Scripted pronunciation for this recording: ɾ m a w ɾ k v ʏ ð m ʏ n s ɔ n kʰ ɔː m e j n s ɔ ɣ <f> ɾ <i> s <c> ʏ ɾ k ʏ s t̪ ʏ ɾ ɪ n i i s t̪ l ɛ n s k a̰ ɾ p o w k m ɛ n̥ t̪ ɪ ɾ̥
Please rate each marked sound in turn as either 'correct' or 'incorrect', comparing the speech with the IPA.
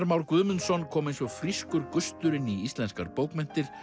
correct, correct, incorrect: k

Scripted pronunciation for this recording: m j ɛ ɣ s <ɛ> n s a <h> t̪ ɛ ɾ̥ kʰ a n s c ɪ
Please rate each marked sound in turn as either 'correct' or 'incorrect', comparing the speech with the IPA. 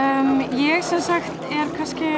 correct, incorrect: x

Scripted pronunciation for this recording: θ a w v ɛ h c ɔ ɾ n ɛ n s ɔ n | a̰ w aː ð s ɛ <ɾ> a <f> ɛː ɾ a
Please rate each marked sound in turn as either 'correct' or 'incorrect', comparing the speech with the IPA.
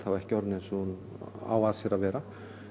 correct, incorrect: v

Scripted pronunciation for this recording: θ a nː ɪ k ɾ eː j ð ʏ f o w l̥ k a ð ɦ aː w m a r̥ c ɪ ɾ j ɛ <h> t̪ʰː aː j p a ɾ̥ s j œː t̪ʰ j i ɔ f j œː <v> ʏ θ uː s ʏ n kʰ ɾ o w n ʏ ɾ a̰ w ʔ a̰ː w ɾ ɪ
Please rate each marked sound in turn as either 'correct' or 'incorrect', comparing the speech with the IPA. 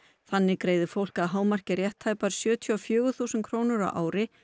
correct, incorrect: ɣ

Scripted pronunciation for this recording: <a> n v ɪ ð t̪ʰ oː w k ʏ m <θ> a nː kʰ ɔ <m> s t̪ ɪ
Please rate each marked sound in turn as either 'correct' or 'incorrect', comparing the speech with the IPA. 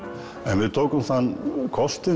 incorrect: ɛ, correct, incorrect: none

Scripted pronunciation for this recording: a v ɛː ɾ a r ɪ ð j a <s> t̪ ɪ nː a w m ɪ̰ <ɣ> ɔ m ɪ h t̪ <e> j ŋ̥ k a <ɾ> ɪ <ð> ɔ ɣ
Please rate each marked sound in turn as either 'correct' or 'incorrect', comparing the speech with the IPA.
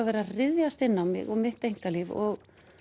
correct, correct, correct, incorrect: l, incorrect: v

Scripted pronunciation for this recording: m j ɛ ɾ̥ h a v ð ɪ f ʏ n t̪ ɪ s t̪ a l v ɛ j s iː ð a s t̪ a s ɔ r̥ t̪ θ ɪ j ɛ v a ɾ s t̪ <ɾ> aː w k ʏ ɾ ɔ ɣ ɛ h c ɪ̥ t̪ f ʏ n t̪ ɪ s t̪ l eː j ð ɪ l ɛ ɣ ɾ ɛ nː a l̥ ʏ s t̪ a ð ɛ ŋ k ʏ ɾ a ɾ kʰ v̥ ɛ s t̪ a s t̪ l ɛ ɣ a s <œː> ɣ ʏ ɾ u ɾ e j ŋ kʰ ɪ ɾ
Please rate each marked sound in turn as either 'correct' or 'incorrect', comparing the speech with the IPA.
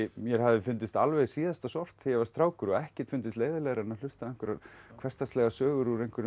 correct, correct

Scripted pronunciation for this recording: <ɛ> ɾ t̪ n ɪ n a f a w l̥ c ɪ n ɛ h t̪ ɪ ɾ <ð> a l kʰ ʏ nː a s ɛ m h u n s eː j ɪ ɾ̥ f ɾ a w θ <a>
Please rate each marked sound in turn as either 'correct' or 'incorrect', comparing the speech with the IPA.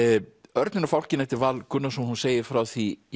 incorrect: œ, incorrect: v, incorrect: i

